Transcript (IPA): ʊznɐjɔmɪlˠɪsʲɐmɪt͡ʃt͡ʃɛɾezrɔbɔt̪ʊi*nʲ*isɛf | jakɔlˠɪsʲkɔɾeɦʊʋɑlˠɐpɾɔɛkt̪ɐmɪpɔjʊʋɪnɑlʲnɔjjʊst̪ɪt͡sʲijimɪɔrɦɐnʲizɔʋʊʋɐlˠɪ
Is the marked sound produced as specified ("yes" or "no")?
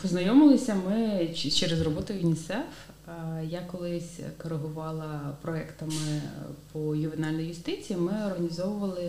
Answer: yes